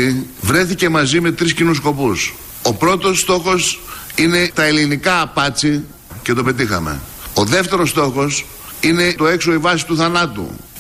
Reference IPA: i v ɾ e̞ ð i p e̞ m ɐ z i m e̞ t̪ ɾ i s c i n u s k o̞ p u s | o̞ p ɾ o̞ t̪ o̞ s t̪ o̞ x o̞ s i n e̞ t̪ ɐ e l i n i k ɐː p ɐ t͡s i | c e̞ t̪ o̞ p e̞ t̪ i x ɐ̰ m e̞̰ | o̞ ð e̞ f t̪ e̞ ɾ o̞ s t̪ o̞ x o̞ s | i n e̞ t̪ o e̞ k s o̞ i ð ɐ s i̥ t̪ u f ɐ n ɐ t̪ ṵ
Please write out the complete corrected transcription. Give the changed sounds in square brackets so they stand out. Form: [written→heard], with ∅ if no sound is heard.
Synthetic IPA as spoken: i v ɾ e̞ [ð→θ] i [p→c] e̞ m ɐ z i m e̞ t̪ ɾ i s c i n u s k o̞ p u s | o̞ p ɾ o̞ t̪ o̞ s t̪ o̞ x o̞ s i n e̞ t̪ ɐ e l i n i k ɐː p ɐ t͡s i | c e̞ t̪ o̞ p e̞ t̪ i x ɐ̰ m e̞̰ | o̞ ð e̞ f t̪ e̞ ɾ o̞ s t̪ o̞ x o̞ s | i n e̞ t̪ o e̞ k s o̞ i [ð→v] ɐ s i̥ t̪ u [f→θ] ɐ n ɐ t̪ ṵ